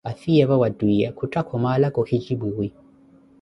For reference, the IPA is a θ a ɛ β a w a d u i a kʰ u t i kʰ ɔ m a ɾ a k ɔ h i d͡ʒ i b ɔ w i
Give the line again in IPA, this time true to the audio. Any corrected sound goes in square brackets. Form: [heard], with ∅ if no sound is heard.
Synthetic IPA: a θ [i] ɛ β a w a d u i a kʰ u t [a] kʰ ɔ m a [l] a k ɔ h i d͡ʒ i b [u] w i